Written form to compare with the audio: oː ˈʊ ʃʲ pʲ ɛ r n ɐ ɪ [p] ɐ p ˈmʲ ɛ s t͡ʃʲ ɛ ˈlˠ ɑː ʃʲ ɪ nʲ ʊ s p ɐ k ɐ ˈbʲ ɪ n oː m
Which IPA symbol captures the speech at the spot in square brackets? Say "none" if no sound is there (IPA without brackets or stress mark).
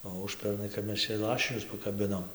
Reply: k